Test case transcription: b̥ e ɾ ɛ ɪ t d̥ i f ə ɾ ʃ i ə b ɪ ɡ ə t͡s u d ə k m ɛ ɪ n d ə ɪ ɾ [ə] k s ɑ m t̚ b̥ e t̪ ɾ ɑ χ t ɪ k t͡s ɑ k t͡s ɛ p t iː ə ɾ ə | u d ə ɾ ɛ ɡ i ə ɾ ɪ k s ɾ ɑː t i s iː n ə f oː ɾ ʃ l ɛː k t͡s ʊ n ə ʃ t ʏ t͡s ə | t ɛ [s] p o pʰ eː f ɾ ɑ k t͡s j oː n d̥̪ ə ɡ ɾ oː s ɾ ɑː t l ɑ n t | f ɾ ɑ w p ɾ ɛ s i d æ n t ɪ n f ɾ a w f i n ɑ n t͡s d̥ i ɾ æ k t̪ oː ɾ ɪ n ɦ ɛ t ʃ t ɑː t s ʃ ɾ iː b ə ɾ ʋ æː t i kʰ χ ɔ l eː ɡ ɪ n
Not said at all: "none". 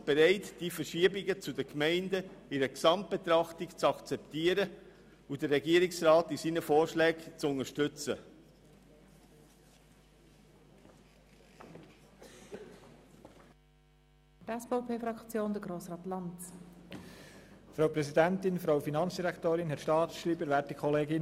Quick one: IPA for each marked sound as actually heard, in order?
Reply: ə, s

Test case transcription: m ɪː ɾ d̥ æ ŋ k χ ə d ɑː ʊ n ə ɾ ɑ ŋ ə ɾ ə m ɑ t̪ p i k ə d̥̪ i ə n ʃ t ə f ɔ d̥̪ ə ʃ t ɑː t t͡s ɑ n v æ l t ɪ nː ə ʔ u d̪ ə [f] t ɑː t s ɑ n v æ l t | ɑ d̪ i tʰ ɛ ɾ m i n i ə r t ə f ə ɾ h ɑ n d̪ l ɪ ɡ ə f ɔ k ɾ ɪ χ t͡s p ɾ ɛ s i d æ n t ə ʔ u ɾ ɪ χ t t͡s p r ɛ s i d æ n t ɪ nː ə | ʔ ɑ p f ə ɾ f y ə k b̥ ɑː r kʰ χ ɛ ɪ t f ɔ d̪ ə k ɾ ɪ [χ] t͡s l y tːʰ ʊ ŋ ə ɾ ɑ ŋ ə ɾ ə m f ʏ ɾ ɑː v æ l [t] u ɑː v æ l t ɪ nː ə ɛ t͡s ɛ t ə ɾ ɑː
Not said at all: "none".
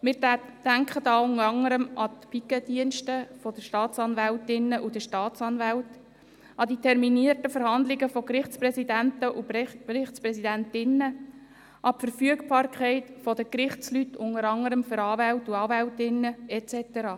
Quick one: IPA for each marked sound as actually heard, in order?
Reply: ʃ, χ, t

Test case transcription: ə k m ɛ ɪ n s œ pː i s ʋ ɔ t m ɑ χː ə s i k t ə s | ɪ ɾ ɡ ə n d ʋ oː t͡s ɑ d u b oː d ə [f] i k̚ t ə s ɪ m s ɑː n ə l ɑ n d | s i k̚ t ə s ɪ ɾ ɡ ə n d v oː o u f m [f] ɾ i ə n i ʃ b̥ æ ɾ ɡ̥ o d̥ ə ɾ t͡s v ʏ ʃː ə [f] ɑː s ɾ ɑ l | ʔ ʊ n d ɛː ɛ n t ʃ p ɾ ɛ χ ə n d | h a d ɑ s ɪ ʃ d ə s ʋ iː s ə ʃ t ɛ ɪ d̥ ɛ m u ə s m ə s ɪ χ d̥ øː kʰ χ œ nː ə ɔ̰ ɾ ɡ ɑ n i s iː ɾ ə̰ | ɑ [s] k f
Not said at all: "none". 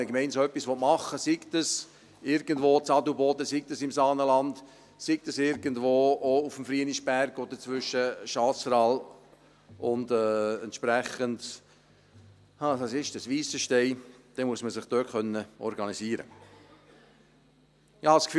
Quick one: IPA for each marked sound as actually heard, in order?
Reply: s, f, ʃ, s

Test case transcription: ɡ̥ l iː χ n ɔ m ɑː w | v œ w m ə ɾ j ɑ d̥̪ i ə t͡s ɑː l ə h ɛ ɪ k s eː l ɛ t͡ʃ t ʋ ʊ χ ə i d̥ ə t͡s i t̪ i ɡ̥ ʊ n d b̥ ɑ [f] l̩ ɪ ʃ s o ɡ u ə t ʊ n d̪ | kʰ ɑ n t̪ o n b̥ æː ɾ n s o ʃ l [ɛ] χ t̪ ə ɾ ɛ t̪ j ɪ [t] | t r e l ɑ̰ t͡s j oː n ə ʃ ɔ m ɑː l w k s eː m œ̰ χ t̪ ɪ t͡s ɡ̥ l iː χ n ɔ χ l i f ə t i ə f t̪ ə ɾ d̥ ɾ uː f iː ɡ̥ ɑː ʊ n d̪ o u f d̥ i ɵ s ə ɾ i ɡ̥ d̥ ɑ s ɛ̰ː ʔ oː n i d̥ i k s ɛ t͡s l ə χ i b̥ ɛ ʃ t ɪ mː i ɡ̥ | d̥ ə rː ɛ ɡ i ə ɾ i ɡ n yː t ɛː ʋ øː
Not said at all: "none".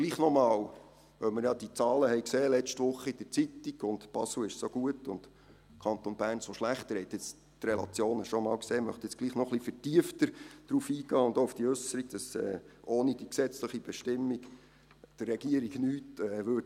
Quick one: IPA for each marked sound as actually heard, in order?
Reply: s, æ, t͡s

